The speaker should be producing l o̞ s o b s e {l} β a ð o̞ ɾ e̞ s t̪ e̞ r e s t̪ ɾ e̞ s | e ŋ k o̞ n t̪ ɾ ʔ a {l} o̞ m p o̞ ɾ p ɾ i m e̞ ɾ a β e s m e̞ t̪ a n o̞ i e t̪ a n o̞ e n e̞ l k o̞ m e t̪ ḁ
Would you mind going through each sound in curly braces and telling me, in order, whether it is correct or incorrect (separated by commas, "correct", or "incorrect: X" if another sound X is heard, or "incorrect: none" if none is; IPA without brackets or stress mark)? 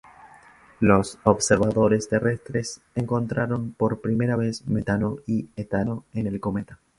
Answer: incorrect: ɾ, incorrect: ɾ